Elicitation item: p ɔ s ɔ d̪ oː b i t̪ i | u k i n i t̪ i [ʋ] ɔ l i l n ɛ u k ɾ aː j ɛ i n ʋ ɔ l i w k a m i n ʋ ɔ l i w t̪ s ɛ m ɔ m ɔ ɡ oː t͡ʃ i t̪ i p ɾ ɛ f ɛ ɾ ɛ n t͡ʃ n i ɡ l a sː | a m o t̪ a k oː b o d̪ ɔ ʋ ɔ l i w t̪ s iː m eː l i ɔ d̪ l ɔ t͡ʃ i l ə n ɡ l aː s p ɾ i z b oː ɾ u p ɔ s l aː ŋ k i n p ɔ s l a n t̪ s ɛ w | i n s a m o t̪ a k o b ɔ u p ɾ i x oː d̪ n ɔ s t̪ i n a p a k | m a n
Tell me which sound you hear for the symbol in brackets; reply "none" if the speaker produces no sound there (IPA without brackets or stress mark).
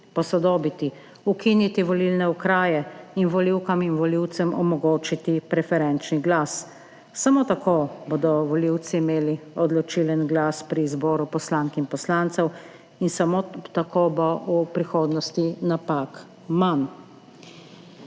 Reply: ʋ